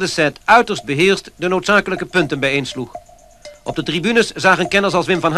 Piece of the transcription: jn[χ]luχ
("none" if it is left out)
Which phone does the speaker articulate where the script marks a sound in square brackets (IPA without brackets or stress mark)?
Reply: s